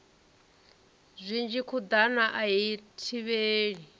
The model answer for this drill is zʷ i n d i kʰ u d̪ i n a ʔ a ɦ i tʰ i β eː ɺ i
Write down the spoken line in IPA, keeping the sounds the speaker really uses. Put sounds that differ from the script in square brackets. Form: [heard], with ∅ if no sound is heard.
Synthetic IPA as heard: zʷ i n [d͡ʒ] i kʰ u d̪ [a] n a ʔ a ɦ i tʰ i β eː ɺ i